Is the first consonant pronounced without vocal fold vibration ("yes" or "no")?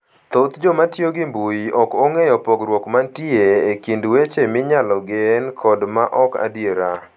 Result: yes